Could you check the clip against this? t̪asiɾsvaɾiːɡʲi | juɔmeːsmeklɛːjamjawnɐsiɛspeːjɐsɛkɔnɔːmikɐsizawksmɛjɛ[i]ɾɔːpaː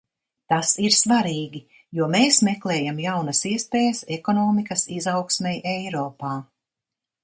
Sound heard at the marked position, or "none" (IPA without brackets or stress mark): j